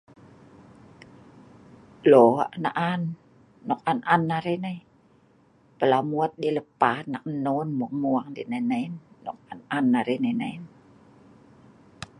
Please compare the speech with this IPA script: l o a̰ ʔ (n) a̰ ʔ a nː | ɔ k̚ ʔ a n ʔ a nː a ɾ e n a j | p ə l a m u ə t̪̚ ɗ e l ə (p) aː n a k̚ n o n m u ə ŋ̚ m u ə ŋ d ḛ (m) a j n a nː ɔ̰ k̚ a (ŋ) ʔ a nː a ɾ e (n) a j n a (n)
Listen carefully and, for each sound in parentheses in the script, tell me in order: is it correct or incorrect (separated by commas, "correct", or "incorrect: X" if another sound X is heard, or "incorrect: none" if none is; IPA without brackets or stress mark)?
correct, correct, incorrect: n, incorrect: n, correct, correct